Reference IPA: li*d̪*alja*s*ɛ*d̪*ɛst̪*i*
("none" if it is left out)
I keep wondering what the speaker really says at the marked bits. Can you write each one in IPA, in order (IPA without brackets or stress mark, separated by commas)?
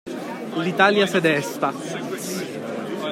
t̪, s, d̪, a